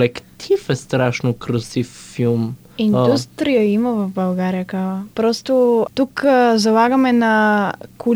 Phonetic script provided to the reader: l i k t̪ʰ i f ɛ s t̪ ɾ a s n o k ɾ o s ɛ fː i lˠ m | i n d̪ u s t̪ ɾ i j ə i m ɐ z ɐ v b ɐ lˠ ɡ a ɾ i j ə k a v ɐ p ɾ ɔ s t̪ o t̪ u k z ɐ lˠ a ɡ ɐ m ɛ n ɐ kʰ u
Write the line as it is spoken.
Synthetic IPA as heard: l ɛ k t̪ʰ i f ɛ s t̪ ɾ a ʃ n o k ɾ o s i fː i lˠ m | i n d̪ u s t̪ ɾ i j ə i m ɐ v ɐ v b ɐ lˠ ɡ a ɾ i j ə k a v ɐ p ɾ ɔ s t̪ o t̪ u k z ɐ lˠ a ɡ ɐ m ɛ n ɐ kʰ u